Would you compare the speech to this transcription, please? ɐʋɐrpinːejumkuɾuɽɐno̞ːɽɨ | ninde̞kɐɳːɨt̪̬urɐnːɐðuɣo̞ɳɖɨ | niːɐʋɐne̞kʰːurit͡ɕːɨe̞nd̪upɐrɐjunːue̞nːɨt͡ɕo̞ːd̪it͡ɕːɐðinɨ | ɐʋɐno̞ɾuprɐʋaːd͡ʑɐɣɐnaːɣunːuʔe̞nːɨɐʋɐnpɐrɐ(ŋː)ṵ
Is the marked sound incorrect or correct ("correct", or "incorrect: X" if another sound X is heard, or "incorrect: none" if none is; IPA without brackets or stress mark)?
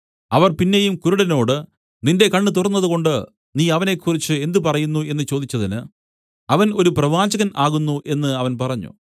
incorrect: ɲː